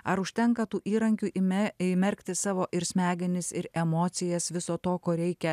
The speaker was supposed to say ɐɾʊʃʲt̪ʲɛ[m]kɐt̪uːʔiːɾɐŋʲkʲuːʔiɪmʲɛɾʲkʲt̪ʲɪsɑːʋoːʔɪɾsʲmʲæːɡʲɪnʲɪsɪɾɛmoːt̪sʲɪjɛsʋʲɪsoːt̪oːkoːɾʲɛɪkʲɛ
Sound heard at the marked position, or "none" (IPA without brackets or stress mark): ŋ